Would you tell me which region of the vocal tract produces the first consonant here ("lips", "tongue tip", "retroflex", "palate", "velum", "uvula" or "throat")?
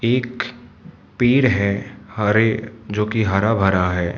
velum